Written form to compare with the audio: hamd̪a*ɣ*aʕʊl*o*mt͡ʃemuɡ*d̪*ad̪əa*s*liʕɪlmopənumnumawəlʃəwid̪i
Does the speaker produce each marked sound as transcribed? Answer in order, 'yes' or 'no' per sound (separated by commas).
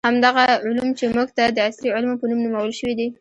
yes, no, no, yes